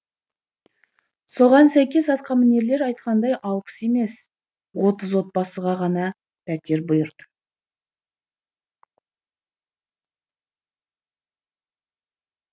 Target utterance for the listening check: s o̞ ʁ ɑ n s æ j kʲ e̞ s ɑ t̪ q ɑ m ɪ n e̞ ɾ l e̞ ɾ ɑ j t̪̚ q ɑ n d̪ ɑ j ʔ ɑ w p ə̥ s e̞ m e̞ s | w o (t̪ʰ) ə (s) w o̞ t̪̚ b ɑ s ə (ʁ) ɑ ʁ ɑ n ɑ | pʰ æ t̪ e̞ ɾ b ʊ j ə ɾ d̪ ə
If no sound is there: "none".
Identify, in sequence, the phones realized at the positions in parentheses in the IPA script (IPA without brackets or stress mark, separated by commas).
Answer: t̪, z, ʁ